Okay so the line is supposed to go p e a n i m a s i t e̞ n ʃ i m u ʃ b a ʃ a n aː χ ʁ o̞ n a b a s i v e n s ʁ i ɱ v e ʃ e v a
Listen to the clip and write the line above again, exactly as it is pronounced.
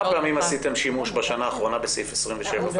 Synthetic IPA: p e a m i m a s i t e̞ m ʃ i m u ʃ b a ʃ a n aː χ ʁ o̞ n a b e s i f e s ʁ i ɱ v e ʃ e v a